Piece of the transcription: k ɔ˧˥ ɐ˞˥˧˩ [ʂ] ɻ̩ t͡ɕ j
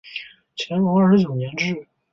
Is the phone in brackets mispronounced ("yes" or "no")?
no